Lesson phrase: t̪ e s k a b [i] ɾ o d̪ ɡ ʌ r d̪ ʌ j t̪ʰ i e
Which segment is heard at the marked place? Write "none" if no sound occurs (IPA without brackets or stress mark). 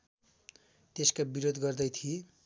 i